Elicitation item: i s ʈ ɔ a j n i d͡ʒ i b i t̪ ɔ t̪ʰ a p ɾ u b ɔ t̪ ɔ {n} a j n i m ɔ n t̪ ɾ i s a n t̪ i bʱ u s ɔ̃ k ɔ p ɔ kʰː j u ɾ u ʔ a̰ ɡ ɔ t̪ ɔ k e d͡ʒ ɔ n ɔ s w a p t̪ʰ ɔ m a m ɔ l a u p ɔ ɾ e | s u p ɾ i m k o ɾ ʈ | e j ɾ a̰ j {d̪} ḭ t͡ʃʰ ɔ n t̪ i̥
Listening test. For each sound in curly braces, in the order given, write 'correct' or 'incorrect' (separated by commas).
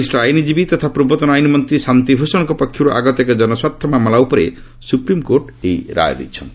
correct, correct